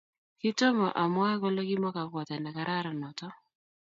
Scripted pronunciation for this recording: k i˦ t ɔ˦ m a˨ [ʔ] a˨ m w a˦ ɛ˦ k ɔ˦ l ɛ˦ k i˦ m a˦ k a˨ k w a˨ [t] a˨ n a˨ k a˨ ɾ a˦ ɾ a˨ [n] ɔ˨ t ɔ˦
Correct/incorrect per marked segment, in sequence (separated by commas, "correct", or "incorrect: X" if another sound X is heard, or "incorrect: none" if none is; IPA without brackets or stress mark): correct, correct, correct